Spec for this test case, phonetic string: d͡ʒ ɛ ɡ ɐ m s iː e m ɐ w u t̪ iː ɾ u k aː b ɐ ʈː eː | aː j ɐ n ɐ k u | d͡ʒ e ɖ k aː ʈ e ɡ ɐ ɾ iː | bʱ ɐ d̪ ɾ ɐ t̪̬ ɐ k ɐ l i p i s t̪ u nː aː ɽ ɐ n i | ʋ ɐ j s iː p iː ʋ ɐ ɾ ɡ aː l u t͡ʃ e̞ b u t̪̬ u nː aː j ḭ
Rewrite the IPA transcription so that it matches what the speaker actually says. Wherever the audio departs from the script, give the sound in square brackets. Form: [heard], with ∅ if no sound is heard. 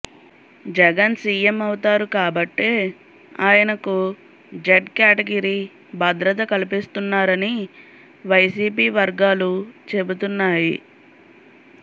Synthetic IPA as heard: d͡ʒ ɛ ɡ ɐ [n] s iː e m ɐ w u t̪ [aː] ɾ u k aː b ɐ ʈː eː | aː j ɐ n ɐ k u | d͡ʒ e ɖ k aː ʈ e ɡ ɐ ɾ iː | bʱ ɐ d̪ ɾ ɐ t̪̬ ɐ k ɐ l i p i s t̪ u nː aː [ɾ] ɐ n i | ʋ ɐ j s iː p iː ʋ ɐ ɾ ɡ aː l u t͡ʃ e̞ b u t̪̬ u nː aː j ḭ